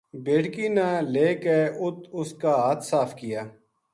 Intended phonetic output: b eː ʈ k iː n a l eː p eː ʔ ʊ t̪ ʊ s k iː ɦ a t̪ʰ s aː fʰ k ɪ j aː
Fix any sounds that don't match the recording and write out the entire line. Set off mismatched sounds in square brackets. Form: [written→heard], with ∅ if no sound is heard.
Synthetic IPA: b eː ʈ k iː n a l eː [p→k] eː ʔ ʊ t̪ ʊ s k [iː→aː] ɦ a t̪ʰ s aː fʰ k ɪ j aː